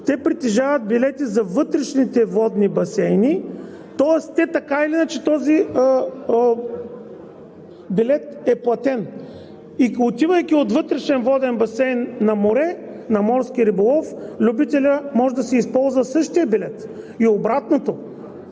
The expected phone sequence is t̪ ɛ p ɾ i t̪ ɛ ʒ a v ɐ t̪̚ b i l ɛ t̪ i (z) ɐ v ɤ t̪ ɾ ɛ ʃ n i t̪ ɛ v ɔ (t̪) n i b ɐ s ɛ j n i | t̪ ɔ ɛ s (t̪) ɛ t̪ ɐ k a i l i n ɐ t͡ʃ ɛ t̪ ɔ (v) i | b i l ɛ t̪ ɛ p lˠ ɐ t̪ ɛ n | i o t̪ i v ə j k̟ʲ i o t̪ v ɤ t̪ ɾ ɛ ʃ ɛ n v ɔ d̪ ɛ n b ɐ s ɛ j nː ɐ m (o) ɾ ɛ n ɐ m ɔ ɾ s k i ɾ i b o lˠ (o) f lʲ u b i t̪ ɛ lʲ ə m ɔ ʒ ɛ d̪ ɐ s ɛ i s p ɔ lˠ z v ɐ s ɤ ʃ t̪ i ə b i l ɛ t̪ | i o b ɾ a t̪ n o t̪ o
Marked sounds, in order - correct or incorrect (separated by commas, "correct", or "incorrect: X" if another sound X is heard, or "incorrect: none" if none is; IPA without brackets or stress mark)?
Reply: correct, incorrect: d̪, correct, incorrect: z, correct, incorrect: ɔ